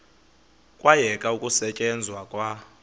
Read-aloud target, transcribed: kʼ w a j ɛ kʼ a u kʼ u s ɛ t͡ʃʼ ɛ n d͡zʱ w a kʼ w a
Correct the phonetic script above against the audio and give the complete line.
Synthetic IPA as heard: kʼ w a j ɛ kʼ a u kʼ u s ɛ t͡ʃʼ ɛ n d͡zʱ w a kʼ w a